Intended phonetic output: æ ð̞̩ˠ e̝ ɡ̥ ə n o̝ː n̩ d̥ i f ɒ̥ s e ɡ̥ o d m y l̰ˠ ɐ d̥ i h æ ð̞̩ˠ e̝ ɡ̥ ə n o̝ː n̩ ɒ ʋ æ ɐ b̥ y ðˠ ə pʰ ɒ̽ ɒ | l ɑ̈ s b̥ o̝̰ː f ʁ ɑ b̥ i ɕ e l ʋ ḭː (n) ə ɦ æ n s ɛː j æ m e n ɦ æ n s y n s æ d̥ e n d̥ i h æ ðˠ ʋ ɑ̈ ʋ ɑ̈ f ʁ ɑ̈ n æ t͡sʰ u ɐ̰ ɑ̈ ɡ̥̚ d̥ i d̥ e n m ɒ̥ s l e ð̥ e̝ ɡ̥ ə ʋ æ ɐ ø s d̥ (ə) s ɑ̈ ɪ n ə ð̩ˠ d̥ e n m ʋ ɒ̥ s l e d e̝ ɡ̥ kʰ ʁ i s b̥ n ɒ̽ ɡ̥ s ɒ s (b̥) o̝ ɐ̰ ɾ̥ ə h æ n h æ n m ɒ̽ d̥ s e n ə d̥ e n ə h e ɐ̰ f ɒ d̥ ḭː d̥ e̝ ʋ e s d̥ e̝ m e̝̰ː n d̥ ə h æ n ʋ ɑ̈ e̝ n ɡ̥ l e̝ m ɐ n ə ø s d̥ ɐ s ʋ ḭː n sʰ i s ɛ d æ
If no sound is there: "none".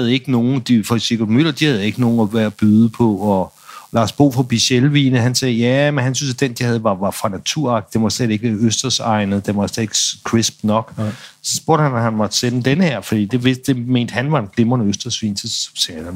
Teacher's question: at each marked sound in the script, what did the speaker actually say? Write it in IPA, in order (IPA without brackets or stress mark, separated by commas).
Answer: n, ɐ, b̥